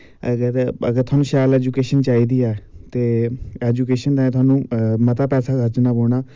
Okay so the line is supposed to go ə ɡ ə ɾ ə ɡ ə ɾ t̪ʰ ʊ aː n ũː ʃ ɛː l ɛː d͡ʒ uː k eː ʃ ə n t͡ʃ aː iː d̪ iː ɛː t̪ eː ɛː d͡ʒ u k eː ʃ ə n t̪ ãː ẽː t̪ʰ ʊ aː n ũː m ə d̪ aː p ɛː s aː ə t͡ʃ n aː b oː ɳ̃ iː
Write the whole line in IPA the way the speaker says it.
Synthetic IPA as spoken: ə ɡ ə ɾ ə ɡ ə ɾ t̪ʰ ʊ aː n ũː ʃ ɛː l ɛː d͡ʒ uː k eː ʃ ə n t͡ʃ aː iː d̪ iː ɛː t̪ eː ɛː d͡ʒ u k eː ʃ ə n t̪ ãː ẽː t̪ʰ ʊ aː n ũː m ə t̪ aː p ɛː s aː ə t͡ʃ n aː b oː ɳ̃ aː